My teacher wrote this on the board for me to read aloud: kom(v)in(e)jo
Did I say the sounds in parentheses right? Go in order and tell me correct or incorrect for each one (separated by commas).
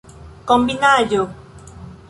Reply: incorrect, incorrect